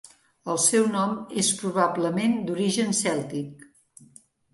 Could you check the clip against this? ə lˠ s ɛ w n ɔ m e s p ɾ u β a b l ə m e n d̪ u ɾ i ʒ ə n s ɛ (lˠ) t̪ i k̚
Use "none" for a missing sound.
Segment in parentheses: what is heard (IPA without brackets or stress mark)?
lˠ